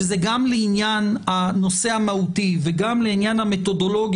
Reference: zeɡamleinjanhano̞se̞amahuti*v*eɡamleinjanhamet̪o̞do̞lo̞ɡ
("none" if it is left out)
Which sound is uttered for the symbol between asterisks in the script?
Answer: v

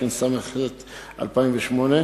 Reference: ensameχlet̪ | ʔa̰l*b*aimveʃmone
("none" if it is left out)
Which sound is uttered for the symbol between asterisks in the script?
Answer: p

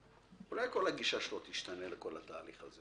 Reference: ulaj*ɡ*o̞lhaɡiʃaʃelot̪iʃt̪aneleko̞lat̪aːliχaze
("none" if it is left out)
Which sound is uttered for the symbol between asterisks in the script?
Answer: k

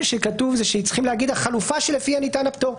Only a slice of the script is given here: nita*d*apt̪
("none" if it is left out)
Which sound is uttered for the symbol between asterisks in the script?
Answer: n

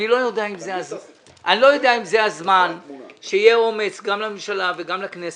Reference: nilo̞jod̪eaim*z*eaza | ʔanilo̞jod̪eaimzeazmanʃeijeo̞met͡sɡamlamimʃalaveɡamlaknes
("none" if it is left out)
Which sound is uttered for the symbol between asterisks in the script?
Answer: z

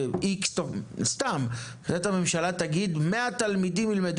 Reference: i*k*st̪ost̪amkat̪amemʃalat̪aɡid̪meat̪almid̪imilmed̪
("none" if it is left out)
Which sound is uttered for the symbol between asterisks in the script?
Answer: k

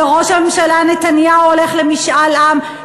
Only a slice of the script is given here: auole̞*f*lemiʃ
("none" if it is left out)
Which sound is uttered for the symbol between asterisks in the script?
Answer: χ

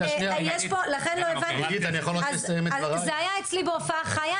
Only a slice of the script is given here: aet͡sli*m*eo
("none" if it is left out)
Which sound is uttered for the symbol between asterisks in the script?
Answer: b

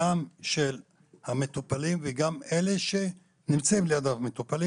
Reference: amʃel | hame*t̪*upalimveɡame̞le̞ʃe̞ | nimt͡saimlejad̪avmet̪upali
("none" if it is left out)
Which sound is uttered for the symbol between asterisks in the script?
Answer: t̪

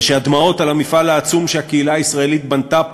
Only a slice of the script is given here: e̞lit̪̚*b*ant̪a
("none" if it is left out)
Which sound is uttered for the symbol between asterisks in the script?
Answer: b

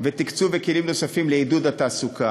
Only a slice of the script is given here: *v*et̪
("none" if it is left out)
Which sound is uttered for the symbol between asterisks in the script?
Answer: v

